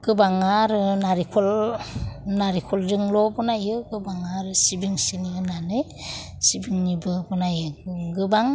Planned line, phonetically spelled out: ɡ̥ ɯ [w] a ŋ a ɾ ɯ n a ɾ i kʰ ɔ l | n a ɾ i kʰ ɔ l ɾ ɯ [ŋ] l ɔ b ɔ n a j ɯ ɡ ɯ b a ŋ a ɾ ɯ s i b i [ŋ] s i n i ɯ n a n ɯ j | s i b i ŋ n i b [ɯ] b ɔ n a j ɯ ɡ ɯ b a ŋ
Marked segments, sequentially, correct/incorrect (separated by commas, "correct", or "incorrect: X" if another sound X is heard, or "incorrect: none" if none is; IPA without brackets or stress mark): incorrect: b, correct, correct, correct